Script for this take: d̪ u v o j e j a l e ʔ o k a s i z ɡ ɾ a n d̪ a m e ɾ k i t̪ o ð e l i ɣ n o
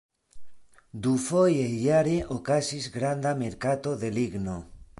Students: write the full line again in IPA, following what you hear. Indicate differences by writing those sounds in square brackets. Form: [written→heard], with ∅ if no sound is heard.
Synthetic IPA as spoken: d̪ u [v→f] o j e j a [l→ɾ] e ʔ o k a s i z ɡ ɾ a n d̪ a m e ɾ k [i→a] t̪ o ð e l i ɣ n o